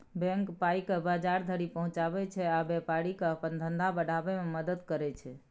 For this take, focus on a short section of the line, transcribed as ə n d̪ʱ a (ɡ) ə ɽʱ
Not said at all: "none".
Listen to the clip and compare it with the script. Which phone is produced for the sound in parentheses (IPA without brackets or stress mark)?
b